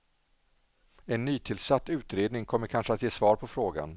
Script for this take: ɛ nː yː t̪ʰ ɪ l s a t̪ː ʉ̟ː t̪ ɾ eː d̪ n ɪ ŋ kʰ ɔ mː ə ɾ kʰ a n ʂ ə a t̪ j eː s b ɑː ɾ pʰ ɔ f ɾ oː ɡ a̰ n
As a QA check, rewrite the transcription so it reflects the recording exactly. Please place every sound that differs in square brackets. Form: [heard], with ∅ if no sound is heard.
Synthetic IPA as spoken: ɛ nː yː t̪ʰ ɪ l s a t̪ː ʉ̟ː t̪ ɾ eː d̪ n ɪ ŋ kʰ ɔ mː ə ɾ kʰ a n ʂ ə a t̪ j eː s [v] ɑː ɾ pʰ ɔ f ɾ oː ɡ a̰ n

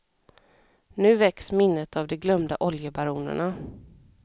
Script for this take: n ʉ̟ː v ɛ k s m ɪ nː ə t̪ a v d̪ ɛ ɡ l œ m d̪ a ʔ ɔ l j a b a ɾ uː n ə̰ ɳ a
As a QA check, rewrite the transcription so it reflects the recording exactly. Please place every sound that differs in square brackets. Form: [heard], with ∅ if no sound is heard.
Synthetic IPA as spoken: n ʉ̟ː v ɛ k s m ɪ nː ə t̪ a v d̪ ɛ ɡ l œ m d̪ a ʔ ɔ l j [ə] b a ɾ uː n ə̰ ɳ a

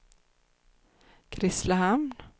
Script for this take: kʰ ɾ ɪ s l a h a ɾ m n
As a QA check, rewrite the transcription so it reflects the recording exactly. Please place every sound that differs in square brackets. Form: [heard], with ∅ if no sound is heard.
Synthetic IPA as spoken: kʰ ɾ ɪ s l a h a [∅] m n

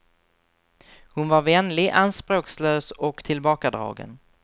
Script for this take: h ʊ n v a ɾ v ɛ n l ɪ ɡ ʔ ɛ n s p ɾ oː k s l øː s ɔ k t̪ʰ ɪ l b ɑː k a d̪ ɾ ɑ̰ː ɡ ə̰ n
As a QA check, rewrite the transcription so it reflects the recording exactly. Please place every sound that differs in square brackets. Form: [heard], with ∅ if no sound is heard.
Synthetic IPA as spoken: h ʊ n v a ɾ v ɛ n l ɪ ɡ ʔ [a] n s p ɾ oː k s l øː s ɔ k t̪ʰ ɪ l b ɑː k a d̪ ɾ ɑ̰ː ɡ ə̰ n

